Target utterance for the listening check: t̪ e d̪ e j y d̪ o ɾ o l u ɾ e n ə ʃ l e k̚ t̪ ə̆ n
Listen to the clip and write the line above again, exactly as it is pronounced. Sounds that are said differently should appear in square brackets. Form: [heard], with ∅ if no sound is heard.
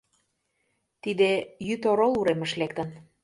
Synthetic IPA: t̪ [i] d̪ e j y [t̪] o ɾ o l u ɾ e [m] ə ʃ l e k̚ t̪ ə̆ n